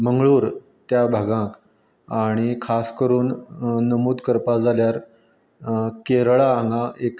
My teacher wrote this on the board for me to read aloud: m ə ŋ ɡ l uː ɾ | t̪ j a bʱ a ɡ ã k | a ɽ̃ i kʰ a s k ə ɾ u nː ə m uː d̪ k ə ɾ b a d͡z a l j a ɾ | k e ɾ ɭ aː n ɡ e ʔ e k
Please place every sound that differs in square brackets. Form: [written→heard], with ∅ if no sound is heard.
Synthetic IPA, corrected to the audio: m ə ŋ ɡ [l→ɭ] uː ɾ | t̪ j a bʱ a ɡ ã k | a ɽ̃ i kʰ a s k ə ɾ [u→uː] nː ə m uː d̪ k ə ɾ [b→p] a d͡z a l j a ɾ | k e ɾ ɭ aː [n→ŋ] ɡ [e→a] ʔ e k

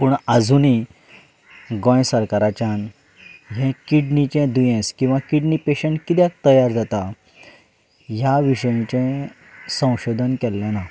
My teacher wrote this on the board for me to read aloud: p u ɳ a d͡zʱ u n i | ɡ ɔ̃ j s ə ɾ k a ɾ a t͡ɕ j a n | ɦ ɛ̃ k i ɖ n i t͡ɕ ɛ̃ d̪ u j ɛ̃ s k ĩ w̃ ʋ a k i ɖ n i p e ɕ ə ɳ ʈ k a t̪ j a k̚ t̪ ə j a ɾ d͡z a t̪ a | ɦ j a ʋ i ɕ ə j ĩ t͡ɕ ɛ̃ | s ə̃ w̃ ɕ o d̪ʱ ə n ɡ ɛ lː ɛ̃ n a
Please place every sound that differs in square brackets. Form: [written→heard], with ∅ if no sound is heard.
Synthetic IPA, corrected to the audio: p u ɳ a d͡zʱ u n i | ɡ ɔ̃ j s ə ɾ k a ɾ a t͡ɕ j a n | ɦ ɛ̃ k i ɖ n i t͡ɕ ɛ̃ d̪ u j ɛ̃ s k ĩ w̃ ʋ a k i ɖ n i p e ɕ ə ɳ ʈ k [a→i] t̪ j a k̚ t̪ ə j a ɾ d͡z a t̪ a | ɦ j a ʋ i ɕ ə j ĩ t͡ɕ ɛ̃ | s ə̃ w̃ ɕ o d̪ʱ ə n [ɡ→k] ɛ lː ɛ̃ n a

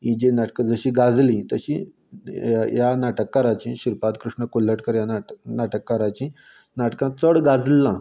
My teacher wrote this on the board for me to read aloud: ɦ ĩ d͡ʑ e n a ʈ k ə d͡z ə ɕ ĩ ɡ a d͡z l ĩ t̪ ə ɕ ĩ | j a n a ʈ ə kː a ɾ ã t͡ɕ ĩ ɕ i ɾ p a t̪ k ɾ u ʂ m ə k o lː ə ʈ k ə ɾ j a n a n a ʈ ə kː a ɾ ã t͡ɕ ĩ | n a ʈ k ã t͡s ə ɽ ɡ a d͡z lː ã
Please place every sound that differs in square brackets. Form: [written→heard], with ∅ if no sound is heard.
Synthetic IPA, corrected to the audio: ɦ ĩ d͡ʑ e n a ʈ k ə d͡z ə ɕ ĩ ɡ a d͡z l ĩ t̪ ə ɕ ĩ | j a n a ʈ ə kː a ɾ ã t͡ɕ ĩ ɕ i ɾ p a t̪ k ɾ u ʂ [m→ɳ] ə k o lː ə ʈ k ə ɾ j a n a n a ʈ ə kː a ɾ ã t͡ɕ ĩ | n a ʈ k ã t͡s ə ɽ ɡ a d͡z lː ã

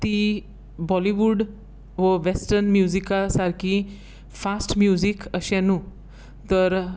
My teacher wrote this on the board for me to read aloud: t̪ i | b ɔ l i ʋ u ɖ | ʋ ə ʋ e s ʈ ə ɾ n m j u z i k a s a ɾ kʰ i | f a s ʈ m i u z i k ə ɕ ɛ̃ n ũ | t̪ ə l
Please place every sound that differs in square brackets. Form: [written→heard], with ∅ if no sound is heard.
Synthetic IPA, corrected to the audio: t̪ i | b ɔ l i ʋ u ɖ | ʋ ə ʋ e s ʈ ə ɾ n m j u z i k a s a ɾ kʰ i | f a s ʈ m [i→j] u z i k ə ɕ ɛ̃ n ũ | t̪ ə [l→ɾ]

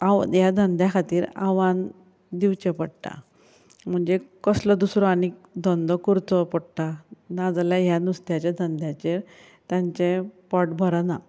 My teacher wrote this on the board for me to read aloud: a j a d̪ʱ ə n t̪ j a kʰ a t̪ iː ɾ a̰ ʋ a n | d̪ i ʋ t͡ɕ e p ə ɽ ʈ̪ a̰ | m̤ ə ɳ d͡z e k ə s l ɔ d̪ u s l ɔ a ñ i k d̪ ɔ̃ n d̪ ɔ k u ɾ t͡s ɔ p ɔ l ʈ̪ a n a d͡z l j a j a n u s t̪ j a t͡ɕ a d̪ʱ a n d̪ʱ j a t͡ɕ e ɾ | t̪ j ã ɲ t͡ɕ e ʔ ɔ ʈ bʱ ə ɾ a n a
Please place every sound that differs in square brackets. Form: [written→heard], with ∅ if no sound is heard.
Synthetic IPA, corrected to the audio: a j a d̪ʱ ə n [t̪→d̪] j a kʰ a t̪ iː ɾ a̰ ʋ a n | d̪ i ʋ t͡ɕ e p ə ɽ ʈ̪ a̰ | m̤ ə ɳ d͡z e k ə s l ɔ d̪ u s [l→ɾ] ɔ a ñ i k d̪ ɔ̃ n d̪ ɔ k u ɾ t͡s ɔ p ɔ [l→ɽ] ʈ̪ a n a d͡z l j a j a n u s t̪ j a t͡ɕ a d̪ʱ [a→ə] n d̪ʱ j a t͡ɕ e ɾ | t̪ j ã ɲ t͡ɕ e [ʔ→p] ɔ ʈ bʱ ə ɾ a n a

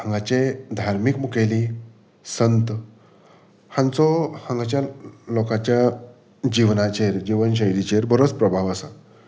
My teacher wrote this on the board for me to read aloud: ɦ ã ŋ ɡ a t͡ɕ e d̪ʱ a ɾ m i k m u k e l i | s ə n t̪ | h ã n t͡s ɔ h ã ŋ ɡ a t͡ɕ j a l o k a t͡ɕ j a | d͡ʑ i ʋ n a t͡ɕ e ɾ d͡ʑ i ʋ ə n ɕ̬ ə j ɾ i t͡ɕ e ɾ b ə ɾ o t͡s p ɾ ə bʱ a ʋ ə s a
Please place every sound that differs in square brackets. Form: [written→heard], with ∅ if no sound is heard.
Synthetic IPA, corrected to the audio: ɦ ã ŋ ɡ a t͡ɕ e d̪ʱ a ɾ m i k m u k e l i | s ə n t̪ | h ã n t͡s ɔ h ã ŋ ɡ a t͡ɕ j a l o k a t͡ɕ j a | d͡ʑ i ʋ n a t͡ɕ e ɾ d͡ʑ i ʋ ə n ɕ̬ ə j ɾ i t͡ɕ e ɾ b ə ɾ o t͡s p ɾ ə bʱ a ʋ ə s a

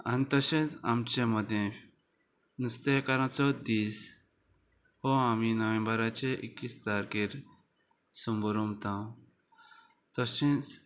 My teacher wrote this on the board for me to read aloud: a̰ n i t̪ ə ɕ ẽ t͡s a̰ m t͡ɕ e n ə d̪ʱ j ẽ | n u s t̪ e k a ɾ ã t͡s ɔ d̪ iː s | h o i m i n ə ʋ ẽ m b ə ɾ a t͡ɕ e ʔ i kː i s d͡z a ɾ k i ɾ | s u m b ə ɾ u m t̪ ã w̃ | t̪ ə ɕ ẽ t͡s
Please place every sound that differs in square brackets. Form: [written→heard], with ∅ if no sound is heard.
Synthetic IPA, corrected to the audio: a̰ n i t̪ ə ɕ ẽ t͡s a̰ m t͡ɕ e [n→m] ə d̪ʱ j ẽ | n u s t̪ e k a ɾ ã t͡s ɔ d̪ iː s | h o [i→a] m i n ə ʋ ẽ m b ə ɾ a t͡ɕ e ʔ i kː i s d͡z a ɾ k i ɾ | s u m b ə ɾ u m t̪ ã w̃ | t̪ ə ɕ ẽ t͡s

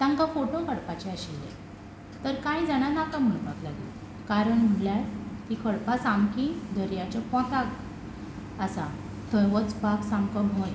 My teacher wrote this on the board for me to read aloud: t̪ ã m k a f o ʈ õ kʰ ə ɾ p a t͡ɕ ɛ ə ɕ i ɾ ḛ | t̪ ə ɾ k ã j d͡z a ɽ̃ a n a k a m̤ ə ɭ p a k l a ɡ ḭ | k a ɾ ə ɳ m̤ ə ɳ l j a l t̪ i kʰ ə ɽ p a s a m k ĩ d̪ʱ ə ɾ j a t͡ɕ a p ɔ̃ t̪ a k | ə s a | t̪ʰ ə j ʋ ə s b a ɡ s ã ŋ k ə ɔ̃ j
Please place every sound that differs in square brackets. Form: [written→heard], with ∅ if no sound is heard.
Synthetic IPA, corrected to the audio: t̪ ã [m→ŋ] k a f o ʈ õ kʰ ə [ɾ→ɽ] p a t͡ɕ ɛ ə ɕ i [ɾ→l] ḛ | t̪ ə ɾ k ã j d͡z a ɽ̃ a n a k a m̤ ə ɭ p a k l a ɡ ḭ | k a ɾ ə ɳ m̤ ə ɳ l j a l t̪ i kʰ ə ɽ p a s a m k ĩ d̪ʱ ə ɾ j a t͡ɕ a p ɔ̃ t̪ a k | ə s a | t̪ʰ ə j ʋ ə [s→t͡s] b a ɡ s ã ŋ k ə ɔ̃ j

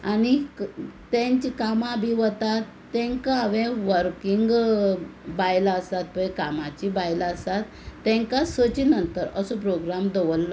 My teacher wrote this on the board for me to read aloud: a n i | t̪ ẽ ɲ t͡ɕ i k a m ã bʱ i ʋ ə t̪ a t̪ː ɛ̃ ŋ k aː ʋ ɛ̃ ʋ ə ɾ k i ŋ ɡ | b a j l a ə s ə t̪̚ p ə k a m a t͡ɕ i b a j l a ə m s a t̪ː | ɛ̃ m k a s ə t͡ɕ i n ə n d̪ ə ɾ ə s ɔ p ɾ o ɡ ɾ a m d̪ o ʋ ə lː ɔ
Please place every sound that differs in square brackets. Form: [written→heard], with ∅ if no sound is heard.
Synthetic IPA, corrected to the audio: a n i | t̪ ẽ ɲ t͡ɕ i k a m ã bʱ i ʋ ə t̪ a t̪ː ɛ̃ ŋ k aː ʋ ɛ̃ ʋ ə ɾ k i ŋ ɡ | b a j l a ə s [ə→a] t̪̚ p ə k a m a t͡ɕ i b a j l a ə [m→∅] s a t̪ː | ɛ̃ [m→ŋ] k a s ə t͡ɕ i n ə n [d̪→t̪] ə ɾ ə s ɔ p ɾ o ɡ ɾ a m d̪ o ʋ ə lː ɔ

